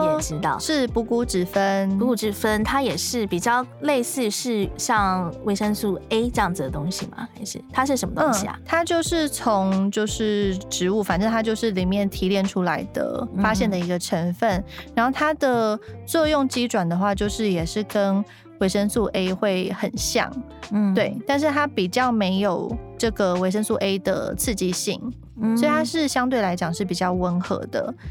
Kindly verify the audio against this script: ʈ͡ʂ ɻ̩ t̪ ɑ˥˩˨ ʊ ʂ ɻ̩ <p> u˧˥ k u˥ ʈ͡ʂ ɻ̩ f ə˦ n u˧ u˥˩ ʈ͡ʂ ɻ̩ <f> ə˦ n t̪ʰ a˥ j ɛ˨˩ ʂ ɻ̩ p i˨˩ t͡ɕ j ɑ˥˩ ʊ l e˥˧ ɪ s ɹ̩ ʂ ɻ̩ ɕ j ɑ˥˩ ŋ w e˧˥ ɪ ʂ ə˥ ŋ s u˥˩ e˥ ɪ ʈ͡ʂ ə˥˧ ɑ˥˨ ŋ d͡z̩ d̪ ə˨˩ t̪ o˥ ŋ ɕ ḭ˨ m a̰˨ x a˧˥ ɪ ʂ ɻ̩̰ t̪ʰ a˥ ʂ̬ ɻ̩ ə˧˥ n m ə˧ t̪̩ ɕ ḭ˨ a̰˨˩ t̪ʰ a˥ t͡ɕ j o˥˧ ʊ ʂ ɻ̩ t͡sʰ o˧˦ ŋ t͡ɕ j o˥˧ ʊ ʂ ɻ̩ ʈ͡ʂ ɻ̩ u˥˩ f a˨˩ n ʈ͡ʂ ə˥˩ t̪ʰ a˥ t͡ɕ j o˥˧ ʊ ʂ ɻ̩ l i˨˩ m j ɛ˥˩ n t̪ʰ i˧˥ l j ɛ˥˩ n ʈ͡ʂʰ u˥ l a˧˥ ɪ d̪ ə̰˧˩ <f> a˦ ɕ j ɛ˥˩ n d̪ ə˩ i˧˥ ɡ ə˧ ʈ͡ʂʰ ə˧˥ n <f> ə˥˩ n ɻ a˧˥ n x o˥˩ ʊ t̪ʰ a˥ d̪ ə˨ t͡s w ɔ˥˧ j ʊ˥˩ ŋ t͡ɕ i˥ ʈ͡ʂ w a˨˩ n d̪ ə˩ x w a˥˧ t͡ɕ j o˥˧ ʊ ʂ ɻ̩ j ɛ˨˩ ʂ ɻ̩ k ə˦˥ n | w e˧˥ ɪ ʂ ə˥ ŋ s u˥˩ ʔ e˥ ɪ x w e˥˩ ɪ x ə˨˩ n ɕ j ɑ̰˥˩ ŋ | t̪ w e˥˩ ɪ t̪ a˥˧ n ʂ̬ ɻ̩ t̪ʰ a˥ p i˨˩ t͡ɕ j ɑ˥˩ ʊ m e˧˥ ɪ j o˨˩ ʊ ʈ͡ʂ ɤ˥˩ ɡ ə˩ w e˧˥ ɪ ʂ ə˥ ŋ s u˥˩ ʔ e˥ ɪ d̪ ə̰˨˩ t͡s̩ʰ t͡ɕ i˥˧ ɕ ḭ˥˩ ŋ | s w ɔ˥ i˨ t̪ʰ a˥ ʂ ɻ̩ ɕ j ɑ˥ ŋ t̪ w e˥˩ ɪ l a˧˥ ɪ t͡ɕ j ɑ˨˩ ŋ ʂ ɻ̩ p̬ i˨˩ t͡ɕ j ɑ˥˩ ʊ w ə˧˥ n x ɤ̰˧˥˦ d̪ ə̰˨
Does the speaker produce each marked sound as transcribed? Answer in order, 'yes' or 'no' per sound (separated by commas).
yes, yes, yes, yes